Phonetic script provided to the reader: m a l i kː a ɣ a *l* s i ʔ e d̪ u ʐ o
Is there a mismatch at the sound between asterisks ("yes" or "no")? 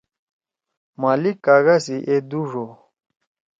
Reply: yes